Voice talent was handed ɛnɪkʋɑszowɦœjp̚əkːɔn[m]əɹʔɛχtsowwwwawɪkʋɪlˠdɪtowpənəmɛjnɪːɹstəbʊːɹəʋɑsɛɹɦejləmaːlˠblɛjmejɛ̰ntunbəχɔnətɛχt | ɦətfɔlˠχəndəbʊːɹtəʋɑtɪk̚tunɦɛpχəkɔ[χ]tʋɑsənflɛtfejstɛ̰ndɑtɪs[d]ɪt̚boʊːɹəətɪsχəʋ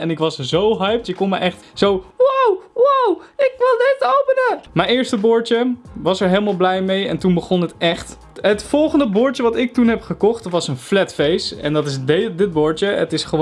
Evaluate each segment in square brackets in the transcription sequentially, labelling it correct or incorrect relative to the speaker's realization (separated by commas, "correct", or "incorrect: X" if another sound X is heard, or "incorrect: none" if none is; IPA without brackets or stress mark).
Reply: correct, correct, correct